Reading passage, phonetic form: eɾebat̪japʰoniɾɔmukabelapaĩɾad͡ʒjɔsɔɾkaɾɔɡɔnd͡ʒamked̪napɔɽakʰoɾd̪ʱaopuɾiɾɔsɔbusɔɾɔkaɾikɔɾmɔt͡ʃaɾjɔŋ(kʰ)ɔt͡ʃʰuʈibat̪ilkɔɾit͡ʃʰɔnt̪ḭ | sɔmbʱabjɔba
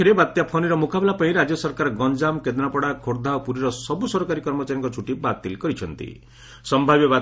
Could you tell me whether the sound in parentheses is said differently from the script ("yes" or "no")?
yes